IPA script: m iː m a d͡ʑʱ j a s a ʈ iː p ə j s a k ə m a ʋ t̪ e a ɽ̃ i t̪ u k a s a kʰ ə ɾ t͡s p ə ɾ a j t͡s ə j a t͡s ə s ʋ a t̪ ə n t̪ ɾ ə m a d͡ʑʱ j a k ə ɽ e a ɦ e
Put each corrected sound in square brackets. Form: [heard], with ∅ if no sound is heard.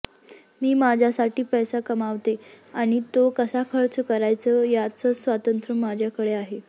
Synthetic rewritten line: m iː m a d͡ʑʱ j a s a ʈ iː p ə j s a k ə m a ʋ t̪ e a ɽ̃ i t̪ [o] k [ə] s a kʰ ə ɾ t͡s [k] ə ɾ a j t͡s ə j a t͡s ə s ʋ a t̪ ə n t̪ ɾ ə m a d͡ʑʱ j a k ə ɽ e a ɦ e

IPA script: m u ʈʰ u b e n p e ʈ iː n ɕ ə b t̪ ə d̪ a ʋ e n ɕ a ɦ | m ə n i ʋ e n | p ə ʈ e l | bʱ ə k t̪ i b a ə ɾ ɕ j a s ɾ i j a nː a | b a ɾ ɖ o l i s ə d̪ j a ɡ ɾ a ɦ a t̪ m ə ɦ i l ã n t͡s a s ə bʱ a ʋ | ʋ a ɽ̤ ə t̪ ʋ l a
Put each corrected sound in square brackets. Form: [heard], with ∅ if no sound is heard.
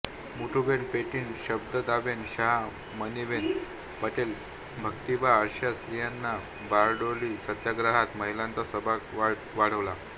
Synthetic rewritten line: m u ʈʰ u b e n p e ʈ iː n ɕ ə b [d̪] ə d̪ a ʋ e n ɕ a ɦ | m ə n i ʋ e n | p ə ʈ e l | bʱ ə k t̪ i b a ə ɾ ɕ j a s ɾ i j a nː a | b a ɾ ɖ o l i s ə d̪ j a ɡ ɾ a ɦ a t̪ m ə ɦ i l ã n t͡s a s ə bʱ a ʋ | ʋ a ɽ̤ ə [∅] ʋ l a

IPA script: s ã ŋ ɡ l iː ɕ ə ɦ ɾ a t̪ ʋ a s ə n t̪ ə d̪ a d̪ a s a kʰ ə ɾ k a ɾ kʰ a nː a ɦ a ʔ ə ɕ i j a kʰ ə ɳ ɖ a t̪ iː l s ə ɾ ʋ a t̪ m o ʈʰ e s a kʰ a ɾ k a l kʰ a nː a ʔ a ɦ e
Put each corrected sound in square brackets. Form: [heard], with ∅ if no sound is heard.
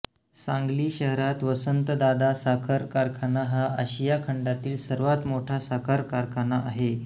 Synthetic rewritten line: s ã ŋ ɡ l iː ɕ ə ɦ ɾ a t̪ ʋ [ə] s ə n t̪ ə d̪ a d̪ a s a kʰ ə ɾ k a ɾ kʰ a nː a ɦ a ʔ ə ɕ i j a kʰ ə ɳ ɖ a t̪ iː l s ə ɾ ʋ a t̪ m o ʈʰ [a] s a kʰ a ɾ k a [ɾ] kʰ a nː a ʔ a ɦ e

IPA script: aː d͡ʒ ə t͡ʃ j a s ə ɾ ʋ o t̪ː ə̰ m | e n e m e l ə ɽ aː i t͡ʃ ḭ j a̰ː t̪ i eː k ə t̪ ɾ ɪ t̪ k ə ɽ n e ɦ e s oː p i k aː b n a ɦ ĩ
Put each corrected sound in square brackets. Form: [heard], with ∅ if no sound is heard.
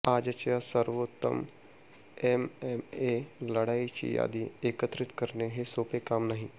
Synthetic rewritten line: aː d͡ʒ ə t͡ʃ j a s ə ɾ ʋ o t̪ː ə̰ m | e [m] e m e l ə ɽ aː i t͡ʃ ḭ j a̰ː [d̪] i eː k ə t̪ ɾ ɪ t̪ k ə [ɾ] n e ɦ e s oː p [e] k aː [m] n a ɦ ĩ

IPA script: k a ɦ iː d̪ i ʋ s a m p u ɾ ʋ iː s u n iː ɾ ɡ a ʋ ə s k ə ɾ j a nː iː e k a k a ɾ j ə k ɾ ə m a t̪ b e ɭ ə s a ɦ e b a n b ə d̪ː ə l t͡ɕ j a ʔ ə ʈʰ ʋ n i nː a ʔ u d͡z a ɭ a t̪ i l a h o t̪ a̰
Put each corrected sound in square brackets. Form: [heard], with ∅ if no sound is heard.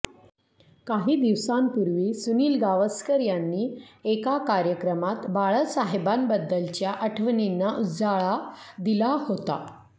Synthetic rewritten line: k a ɦ iː d̪ i ʋ s a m p u ɾ ʋ iː s u n iː [l] ɡ a ʋ ə s k ə ɾ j a nː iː e k a k a ɾ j ə k ɾ ə m a t̪ b [a] ɭ ə s a ɦ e b a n b ə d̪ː ə l t͡ɕ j a ʔ ə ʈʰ ʋ n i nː a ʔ u d͡z a ɭ a [d̪] i l a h o t̪ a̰

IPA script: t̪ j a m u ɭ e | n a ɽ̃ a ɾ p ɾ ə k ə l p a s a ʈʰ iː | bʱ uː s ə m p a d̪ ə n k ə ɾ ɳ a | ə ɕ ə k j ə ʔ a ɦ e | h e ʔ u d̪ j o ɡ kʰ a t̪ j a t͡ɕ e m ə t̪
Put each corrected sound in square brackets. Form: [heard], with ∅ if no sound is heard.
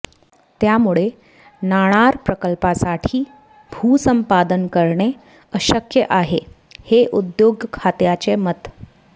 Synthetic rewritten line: t̪ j a m u ɭ e | n a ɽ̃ a ɾ p ɾ ə k ə l p a s a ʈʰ iː | bʱ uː s ə m p a d̪ ə n k ə ɾ ɳ [e] | ə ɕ ə k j ə ʔ a ɦ e | h e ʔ u d̪ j o ɡ kʰ a t̪ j a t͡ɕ e m ə t̪

